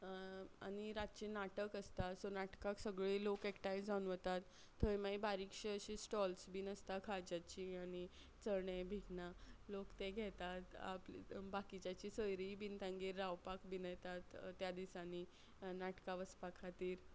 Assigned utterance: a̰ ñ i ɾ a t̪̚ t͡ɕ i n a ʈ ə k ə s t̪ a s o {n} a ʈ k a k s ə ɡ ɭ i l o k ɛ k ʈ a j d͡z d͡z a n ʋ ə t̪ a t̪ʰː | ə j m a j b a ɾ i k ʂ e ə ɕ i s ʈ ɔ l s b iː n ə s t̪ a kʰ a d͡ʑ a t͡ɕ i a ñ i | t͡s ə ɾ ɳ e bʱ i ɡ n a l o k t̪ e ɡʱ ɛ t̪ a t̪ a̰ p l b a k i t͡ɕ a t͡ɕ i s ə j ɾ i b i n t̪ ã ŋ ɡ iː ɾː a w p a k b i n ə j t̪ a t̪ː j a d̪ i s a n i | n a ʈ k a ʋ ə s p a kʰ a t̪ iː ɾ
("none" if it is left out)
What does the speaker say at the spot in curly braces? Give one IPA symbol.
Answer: n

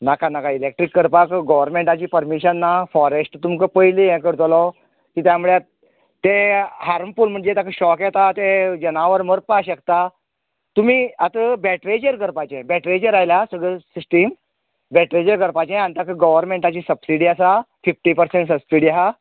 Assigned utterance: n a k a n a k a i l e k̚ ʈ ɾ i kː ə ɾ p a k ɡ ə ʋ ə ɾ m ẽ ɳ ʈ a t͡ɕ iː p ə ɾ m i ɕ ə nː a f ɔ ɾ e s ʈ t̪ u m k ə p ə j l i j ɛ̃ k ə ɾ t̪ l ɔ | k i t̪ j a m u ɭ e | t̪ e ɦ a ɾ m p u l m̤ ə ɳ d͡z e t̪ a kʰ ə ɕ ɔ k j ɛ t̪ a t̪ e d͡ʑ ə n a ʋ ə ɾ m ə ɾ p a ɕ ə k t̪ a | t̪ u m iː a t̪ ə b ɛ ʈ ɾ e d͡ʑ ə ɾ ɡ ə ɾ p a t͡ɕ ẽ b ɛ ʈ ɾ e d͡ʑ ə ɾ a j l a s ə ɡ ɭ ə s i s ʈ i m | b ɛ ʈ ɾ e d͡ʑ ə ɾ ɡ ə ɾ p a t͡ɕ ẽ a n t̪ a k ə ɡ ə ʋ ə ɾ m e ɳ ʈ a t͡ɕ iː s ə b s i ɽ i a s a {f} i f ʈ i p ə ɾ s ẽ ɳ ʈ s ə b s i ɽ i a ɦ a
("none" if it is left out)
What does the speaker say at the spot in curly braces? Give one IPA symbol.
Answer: f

